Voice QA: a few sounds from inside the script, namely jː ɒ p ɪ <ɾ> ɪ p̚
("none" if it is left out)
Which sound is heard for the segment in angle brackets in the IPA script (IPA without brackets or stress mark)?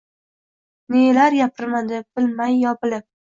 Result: l